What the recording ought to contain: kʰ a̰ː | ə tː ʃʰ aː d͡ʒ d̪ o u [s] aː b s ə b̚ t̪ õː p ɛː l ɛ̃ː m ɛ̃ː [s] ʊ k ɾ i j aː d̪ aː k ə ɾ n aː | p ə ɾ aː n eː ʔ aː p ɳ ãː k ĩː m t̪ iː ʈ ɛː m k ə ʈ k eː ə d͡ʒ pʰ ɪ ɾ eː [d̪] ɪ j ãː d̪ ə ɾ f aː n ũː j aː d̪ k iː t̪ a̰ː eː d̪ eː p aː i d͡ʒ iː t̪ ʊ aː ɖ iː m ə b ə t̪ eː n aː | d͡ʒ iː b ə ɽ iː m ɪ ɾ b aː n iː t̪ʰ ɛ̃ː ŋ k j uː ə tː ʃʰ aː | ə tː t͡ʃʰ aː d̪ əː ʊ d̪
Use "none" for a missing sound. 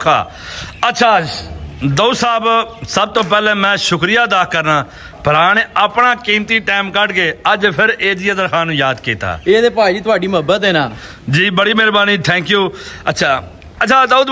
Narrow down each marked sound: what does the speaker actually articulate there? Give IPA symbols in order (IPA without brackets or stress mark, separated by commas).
s, ʃ, d̪